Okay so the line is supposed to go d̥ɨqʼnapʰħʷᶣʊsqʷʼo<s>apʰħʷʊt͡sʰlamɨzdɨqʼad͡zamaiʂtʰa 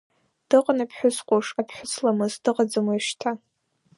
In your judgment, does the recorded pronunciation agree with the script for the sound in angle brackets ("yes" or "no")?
no